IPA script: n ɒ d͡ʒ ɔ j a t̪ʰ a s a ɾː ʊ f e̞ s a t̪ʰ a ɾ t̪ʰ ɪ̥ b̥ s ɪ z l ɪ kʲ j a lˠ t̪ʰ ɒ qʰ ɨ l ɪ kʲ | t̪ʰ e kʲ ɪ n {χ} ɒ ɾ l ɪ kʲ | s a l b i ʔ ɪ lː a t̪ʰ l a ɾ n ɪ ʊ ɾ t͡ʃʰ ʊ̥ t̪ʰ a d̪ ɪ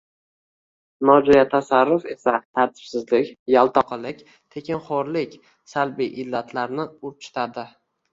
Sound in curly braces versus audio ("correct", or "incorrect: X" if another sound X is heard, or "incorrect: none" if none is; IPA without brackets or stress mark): correct